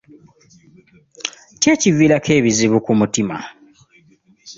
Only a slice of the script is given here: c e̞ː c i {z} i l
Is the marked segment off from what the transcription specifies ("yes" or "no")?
yes